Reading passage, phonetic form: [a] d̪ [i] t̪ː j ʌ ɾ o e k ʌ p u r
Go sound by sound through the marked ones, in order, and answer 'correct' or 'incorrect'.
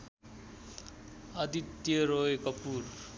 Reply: incorrect, correct

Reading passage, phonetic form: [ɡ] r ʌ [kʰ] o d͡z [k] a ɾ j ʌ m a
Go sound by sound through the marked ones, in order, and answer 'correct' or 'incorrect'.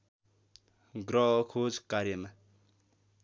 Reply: correct, correct, correct

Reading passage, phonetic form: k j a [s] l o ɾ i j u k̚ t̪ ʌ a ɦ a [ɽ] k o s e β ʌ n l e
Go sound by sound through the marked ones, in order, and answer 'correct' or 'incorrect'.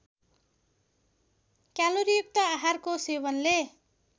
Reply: incorrect, incorrect

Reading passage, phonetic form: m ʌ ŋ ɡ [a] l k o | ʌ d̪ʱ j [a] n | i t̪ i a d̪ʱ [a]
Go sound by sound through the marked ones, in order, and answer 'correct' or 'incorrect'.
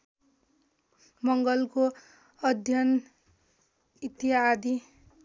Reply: incorrect, incorrect, incorrect

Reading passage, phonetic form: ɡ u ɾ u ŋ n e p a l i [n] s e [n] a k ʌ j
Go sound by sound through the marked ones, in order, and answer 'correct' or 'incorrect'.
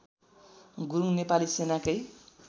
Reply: incorrect, correct

